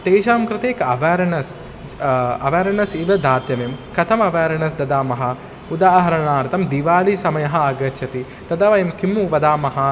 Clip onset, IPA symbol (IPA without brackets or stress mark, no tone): t̪